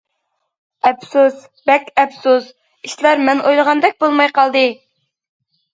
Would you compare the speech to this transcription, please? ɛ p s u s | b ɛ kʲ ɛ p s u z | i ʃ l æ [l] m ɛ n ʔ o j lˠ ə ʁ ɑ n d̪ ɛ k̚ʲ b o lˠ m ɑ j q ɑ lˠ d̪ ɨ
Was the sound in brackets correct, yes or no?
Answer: no